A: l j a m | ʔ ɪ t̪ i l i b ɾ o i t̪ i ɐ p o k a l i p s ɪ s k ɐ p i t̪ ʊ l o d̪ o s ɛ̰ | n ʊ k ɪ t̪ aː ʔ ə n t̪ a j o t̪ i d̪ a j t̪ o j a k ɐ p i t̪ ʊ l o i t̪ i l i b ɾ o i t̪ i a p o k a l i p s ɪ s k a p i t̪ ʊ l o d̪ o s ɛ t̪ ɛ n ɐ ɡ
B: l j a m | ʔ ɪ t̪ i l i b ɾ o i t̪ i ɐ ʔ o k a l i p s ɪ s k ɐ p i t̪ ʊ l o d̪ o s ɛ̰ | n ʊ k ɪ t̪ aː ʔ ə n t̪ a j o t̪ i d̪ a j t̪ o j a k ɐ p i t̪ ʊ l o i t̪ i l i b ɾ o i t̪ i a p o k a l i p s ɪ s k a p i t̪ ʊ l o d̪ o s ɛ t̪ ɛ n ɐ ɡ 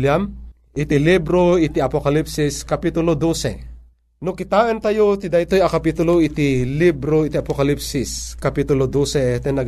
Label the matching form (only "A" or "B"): A